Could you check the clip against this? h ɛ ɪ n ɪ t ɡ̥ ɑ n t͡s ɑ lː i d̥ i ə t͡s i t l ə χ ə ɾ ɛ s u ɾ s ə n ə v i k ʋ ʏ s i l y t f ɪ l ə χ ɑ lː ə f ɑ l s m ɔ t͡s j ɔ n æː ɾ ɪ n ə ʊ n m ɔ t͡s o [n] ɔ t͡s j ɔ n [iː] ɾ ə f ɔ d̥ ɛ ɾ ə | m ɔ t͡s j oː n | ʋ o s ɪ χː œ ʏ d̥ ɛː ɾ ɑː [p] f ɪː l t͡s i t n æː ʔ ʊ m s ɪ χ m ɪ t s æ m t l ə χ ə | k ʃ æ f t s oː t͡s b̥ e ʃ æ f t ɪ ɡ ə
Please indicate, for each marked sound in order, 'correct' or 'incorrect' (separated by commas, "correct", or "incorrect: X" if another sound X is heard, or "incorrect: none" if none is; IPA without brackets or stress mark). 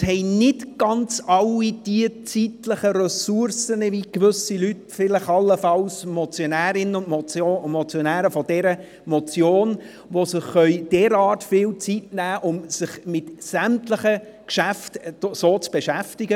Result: incorrect: m, incorrect: æː, incorrect: t